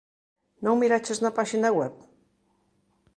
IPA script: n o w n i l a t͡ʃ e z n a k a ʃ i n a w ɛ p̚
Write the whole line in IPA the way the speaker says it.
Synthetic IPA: n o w m i ɾ a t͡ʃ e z n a p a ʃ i n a w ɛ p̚